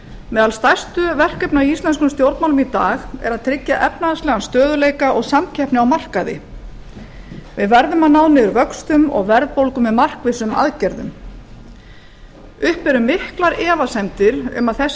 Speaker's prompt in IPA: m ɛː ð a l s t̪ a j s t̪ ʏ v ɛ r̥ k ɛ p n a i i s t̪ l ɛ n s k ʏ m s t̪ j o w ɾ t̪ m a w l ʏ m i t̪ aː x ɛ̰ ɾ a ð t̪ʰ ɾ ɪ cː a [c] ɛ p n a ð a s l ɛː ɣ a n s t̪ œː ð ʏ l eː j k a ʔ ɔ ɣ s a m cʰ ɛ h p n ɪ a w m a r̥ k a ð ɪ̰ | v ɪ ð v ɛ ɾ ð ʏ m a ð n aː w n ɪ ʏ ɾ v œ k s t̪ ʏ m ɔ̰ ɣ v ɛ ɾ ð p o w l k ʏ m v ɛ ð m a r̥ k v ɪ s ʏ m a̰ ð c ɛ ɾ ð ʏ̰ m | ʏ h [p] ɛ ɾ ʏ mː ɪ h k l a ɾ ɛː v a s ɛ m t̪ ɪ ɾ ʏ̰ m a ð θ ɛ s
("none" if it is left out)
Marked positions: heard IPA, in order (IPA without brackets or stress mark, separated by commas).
ʔ, p